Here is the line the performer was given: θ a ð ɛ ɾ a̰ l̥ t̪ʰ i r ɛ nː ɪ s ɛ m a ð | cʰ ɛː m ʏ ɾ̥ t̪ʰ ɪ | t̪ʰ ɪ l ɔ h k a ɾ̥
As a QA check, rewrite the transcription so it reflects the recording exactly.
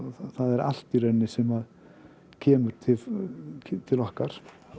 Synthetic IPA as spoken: θ a ð ɛ ɾ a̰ l̥ t̪ i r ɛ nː ɪ s ɛ m a ð | cʰ ɛː m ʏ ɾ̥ t̪ʰ ɪ | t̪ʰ ɪ l ɔ h k a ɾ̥